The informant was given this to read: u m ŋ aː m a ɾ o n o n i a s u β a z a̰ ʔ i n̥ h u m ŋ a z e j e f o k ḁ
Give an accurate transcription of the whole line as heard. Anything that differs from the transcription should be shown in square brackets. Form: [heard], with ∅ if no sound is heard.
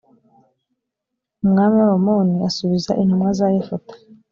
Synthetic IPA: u m ŋ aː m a ɾ o [m] o n i a s u β [i] z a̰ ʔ i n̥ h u m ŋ a z [a] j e f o [t] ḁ